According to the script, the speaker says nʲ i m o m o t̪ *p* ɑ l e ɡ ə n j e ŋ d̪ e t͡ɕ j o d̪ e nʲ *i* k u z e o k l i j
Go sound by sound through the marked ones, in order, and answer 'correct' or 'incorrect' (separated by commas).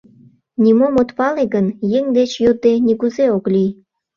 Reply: correct, correct